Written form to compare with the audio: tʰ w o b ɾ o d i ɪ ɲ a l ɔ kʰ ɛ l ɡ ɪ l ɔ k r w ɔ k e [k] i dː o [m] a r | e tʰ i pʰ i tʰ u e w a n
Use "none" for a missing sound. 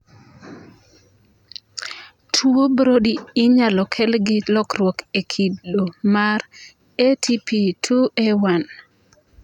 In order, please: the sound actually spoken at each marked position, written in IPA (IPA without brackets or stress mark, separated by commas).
kʰ, m